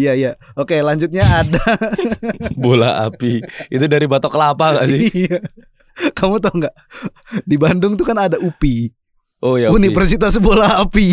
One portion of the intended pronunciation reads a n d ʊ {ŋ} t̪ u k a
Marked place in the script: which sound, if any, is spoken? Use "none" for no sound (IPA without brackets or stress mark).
ŋ